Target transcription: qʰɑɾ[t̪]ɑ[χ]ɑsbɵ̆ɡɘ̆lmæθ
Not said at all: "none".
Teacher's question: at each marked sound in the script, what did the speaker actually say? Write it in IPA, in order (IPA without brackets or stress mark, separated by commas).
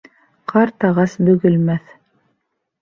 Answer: t̪, ʁ